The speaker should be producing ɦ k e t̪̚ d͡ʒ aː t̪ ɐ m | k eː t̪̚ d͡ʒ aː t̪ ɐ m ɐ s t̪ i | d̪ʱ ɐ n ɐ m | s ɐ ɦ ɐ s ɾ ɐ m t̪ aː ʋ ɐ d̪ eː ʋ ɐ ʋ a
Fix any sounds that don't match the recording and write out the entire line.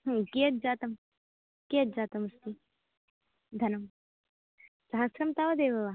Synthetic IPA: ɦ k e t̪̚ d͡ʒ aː t̪ ɐ m | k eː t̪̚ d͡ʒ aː t̪ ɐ m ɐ s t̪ i | d̪ʱ ɐ n ɐ m | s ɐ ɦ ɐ s ɾ ɐ m t̪ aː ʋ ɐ d̪ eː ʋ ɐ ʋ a